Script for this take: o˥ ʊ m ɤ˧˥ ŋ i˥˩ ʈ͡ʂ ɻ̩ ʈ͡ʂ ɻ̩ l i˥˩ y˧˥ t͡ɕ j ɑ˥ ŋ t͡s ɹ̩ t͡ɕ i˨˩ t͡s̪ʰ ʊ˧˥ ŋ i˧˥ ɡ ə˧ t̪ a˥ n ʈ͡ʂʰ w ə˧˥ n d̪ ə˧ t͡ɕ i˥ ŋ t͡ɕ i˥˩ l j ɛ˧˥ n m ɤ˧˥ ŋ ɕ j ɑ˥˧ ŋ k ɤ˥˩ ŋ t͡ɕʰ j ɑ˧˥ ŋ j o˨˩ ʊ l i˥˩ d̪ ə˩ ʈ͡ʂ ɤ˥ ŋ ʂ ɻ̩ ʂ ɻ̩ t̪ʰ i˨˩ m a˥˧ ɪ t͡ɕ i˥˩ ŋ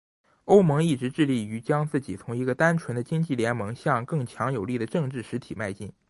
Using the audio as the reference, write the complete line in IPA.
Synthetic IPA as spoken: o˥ ʊ m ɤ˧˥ ŋ i˥˩ ʈ͡ʂ ɻ̩ ʈ͡ʂ ɻ̩ l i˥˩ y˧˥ t͡ɕ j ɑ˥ ŋ t͡s ɹ̩ t͡ɕ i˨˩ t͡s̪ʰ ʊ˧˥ ŋ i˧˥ ɡ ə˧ t̪ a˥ n ʈ͡ʂʰ w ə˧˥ n d̪ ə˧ t͡ɕ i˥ ŋ t͡ɕ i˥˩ l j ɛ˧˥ n m ɤ˧˥ ŋ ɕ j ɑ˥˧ ŋ k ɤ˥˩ ŋ t͡ɕʰ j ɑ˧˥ ŋ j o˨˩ ʊ l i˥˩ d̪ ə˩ ʈ͡ʂ ɤ˥˧ ŋ ʈ͡ʂ ɻ̩ ʂ ɻ̩ t̪ʰ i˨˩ m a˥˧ ɪ t͡ɕ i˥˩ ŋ

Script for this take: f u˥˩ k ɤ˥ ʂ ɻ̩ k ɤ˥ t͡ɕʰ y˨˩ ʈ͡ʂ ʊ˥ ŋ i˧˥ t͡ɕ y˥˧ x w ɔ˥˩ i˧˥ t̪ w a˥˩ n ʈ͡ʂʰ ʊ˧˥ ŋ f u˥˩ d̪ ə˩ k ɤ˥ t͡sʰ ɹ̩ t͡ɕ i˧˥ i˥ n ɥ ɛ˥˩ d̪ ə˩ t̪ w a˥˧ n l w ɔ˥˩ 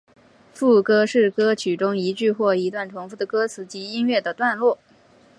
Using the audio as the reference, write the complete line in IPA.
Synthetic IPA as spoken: f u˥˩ k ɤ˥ ʂ ɻ̩ k ɤ˥ t͡ɕʰ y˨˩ ʈ͡ʂ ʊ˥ ŋ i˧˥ t͡ɕ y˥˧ x w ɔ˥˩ i˧˥ t̪ w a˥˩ n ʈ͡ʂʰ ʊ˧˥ ŋ f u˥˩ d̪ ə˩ k ɤ˥ t͡sʰ ɹ̩ t͡ɕ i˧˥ i˥ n ɥ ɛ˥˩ d̪ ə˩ t̪ w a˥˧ n l w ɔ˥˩

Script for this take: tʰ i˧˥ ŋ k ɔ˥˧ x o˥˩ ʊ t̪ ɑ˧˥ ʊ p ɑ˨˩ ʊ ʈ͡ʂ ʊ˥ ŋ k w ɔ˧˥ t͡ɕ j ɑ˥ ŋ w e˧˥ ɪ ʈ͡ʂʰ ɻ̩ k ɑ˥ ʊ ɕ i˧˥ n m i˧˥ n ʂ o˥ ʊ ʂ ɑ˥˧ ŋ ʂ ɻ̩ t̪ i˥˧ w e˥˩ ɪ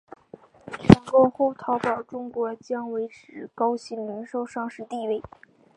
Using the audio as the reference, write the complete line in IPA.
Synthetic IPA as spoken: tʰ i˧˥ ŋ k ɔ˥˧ x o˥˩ ʊ t̪ʰ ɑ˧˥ ʊ p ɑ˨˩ ʊ ʈ͡ʂ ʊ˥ ŋ k w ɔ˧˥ t͡ɕ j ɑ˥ ŋ w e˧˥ ɪ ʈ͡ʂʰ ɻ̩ k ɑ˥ ʊ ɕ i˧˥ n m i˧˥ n ʂ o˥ ʊ ʂ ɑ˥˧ ŋ ʂ ɻ̩ t̪ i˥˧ w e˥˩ ɪ

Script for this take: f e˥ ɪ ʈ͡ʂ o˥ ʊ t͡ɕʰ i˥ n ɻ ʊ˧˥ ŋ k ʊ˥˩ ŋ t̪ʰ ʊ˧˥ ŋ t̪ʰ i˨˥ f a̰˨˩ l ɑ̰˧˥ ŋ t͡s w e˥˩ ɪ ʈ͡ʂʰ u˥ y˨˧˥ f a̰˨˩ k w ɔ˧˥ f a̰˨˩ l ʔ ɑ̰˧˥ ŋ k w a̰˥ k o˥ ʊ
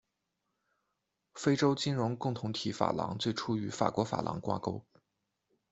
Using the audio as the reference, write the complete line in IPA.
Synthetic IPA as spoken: f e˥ ɪ ʈ͡ʂ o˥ ʊ t͡ɕ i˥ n ɻ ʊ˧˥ ŋ k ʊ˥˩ ŋ t̪ʰ ʊ˧˥ ŋ t̪ʰ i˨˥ f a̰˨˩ l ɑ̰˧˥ ŋ t͡s w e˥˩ ɪ ʈ͡ʂʰ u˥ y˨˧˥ f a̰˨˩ k w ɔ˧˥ f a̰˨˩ l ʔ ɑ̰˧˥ ŋ k w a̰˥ k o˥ ʊ

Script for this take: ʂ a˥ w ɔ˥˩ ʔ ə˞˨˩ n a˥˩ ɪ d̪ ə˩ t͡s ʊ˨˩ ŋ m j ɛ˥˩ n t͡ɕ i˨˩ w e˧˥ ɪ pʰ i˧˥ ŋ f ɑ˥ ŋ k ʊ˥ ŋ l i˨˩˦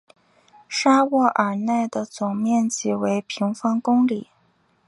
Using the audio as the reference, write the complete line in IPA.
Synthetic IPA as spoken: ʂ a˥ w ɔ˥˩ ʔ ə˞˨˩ n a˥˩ ɪ d̪ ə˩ t͡s ʊ˨˩ ŋ m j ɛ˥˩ n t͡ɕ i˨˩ w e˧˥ ɪ pʰ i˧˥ ŋ f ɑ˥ ŋ k ʊ˥ ŋ l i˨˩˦

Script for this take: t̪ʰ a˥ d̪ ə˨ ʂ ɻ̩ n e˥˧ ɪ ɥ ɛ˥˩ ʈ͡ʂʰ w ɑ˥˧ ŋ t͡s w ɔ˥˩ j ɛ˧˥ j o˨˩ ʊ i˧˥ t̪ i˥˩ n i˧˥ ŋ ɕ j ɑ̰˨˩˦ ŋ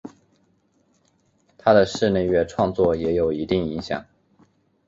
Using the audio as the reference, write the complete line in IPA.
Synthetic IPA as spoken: t̪ʰ a˥ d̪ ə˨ ʂ ɻ̩ n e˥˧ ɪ ɥ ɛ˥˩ ʈ͡ʂʰ w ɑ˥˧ ŋ t͡s w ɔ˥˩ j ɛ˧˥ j o˨˩ ʊ i˧˥ t̪ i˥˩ ŋ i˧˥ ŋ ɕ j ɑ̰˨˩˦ ŋ

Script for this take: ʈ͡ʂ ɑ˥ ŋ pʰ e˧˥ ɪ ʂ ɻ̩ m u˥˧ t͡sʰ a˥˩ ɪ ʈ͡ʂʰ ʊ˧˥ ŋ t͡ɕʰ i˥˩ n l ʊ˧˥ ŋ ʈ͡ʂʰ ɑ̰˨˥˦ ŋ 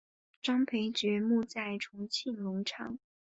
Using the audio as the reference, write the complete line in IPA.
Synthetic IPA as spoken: ʈ͡ʂ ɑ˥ ŋ pʰ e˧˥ ɪ ʈ͡ʂ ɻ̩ m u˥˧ t͡s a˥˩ ɪ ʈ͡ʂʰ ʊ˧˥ ŋ t͡ɕʰ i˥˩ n l ʊ˧˥ ŋ ʈ͡ʂʰ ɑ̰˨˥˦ ŋ

